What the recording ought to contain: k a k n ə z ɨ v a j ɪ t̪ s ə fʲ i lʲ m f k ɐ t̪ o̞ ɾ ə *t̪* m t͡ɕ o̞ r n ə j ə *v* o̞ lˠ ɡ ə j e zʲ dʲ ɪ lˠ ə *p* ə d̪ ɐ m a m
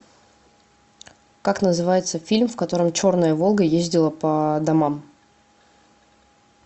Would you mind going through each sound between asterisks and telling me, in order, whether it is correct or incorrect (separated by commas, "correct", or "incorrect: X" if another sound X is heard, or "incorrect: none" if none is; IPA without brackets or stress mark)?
incorrect: none, correct, correct